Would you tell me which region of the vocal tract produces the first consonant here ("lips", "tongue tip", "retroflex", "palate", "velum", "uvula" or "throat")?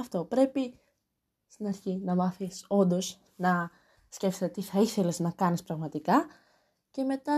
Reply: lips